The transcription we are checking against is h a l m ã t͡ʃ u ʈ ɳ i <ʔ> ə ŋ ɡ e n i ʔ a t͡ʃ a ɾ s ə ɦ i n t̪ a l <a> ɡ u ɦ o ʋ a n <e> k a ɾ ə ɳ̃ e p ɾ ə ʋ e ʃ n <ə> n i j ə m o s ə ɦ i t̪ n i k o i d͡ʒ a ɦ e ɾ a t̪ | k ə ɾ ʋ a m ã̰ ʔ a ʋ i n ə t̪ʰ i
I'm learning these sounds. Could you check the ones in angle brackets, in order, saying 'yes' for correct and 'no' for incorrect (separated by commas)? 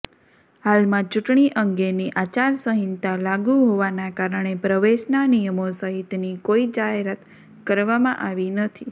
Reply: yes, yes, no, no